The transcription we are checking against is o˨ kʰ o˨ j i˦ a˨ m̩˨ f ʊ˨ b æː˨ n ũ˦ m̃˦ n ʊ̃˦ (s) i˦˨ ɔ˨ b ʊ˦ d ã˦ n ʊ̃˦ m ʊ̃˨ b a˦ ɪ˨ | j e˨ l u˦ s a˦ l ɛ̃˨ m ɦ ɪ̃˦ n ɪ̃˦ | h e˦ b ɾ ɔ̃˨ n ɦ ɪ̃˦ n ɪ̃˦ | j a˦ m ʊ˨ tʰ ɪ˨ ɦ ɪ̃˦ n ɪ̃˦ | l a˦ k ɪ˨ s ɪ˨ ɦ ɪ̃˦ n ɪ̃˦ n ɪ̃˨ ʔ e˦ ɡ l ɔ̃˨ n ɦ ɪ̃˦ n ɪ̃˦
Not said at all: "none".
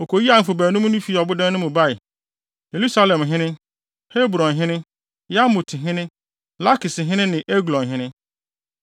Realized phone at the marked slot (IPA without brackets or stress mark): f